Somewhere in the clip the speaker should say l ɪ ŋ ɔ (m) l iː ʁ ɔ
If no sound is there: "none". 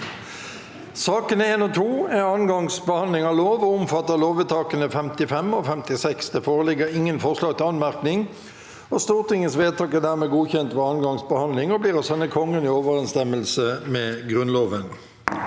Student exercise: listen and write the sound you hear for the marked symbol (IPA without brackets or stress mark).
b